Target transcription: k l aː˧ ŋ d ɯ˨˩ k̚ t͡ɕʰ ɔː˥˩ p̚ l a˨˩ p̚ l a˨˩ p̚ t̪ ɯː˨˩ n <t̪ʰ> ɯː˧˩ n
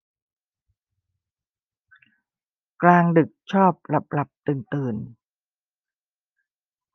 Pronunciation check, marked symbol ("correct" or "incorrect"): incorrect